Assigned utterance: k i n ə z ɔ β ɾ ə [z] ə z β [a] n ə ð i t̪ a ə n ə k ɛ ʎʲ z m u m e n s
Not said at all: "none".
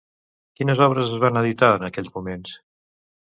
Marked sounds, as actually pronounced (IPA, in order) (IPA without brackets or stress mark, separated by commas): z, a